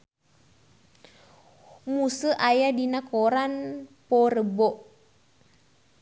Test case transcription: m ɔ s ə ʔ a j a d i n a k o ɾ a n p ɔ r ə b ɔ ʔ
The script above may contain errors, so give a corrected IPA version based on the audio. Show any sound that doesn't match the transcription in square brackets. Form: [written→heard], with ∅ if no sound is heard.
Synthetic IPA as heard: m [ɔ→u] s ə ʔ a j a d i n a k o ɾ a n p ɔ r ə b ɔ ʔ